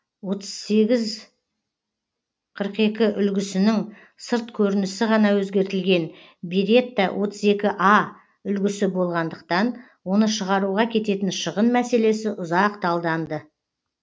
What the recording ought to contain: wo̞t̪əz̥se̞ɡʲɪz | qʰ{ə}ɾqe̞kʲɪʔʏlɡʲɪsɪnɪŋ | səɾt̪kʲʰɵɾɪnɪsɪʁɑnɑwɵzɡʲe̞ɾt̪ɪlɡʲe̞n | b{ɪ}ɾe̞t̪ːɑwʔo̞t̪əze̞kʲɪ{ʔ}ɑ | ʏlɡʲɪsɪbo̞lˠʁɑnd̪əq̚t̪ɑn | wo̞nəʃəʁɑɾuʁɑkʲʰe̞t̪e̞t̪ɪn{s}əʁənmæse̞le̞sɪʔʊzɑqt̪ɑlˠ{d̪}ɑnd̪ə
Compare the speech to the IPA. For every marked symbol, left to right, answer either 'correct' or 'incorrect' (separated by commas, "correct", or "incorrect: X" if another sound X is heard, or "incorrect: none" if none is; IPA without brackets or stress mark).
correct, incorrect: i, correct, incorrect: ʃ, correct